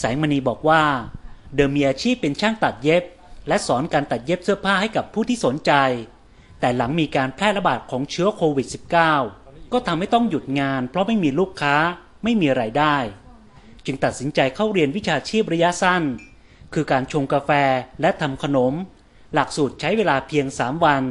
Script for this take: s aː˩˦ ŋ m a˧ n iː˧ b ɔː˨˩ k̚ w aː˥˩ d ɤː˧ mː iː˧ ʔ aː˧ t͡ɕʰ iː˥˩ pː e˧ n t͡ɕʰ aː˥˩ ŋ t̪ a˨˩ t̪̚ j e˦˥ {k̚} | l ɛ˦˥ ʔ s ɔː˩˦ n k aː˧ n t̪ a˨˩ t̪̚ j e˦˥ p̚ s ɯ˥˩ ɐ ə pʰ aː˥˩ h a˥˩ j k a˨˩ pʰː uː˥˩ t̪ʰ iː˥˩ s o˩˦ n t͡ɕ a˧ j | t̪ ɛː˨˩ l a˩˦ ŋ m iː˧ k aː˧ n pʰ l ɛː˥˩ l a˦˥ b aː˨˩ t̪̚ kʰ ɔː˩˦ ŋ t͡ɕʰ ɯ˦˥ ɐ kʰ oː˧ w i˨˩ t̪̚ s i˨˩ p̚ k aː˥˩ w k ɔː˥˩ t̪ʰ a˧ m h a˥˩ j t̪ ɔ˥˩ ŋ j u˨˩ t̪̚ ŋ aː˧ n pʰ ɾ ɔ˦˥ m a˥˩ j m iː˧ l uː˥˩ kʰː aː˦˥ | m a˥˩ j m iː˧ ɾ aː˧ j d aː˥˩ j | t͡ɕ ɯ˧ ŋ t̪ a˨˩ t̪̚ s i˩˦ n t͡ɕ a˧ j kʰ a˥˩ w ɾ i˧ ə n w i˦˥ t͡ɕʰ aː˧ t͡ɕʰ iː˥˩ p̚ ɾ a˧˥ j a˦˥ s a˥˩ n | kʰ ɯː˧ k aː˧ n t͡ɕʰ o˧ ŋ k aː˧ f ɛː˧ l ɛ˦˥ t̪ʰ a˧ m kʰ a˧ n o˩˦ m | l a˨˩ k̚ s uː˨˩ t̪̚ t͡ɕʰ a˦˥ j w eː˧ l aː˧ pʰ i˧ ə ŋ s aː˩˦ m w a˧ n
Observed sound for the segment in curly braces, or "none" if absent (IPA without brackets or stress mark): p̚